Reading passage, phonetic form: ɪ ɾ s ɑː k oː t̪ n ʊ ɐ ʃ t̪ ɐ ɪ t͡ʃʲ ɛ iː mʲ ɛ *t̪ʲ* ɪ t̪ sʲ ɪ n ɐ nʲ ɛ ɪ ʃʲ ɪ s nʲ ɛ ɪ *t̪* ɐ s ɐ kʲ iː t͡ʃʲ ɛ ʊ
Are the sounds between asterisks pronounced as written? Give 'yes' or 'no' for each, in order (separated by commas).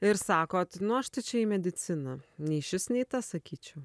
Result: no, yes